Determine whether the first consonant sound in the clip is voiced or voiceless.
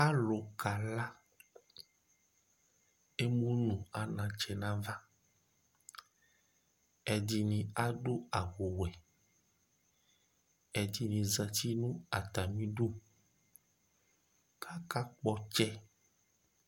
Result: voiced